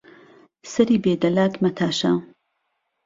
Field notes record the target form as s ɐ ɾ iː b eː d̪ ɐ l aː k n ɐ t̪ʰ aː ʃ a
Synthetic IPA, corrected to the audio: s ɐ ɾ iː b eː d̪ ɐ l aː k m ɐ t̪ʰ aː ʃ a